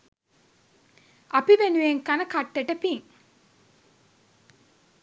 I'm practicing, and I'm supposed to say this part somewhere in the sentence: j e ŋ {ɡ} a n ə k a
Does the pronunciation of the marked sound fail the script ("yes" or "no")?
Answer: yes